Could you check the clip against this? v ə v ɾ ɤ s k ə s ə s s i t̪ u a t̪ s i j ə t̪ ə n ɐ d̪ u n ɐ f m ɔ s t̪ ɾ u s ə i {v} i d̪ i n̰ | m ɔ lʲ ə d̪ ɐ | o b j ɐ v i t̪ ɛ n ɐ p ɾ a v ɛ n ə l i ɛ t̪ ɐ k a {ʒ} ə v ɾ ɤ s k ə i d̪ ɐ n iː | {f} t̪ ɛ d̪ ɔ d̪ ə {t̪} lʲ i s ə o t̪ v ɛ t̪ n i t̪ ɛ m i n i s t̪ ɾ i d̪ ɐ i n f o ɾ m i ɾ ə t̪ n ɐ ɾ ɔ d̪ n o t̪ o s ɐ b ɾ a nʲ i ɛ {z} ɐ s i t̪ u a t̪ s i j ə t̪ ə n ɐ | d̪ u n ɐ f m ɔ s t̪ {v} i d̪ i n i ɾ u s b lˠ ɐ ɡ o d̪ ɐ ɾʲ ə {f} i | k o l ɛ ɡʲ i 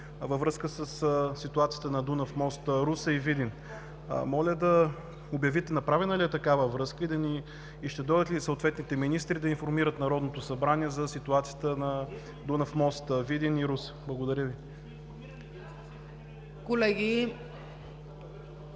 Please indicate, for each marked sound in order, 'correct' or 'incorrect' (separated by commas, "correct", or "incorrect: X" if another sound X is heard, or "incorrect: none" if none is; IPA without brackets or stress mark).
correct, incorrect: v, incorrect: ʃ, correct, correct, correct, incorrect: v